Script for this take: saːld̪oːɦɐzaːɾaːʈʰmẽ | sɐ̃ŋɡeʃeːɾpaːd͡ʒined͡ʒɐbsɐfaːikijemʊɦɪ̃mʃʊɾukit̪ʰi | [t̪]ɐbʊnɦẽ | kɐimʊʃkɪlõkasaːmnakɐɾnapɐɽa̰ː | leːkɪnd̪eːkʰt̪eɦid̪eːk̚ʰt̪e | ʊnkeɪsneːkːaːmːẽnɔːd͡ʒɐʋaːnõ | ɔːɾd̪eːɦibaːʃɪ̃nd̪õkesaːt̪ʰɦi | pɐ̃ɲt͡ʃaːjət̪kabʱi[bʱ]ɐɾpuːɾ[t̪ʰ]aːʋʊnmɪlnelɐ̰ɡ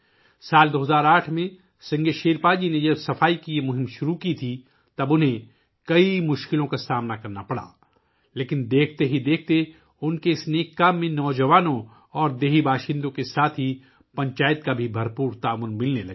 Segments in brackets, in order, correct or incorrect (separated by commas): correct, correct, incorrect